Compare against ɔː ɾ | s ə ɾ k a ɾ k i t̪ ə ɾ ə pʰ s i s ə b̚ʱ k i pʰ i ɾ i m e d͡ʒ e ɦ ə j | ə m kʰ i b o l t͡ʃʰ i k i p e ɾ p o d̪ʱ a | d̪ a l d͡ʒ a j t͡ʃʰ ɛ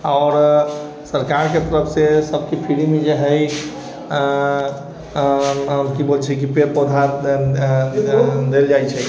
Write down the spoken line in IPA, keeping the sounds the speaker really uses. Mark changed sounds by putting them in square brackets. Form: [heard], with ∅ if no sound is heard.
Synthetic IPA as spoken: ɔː ɾ | s ə ɾ k a ɾ k [e] t̪ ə ɾ ə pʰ s [e] s ə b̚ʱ k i pʰ i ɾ i m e d͡ʒ e ɦ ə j | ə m [k] i b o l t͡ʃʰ [ɛ] k i p e ɾ p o d̪ʱ a | d̪ [e] l d͡ʒ a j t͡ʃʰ ɛ